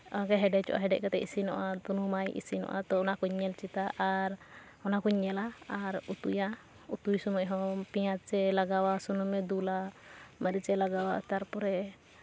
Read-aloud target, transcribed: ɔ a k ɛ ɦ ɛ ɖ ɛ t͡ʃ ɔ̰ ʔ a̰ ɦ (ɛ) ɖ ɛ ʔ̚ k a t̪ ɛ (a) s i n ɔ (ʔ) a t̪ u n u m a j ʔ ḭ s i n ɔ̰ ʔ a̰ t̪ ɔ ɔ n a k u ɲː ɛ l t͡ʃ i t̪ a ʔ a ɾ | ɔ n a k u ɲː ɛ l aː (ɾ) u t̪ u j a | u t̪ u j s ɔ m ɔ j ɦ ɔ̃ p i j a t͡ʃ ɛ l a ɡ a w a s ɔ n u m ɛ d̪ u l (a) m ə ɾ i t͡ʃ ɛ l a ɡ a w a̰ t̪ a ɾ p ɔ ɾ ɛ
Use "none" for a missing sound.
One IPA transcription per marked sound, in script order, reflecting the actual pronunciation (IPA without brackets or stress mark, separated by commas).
ɛ, i, ʔ, ɾ, a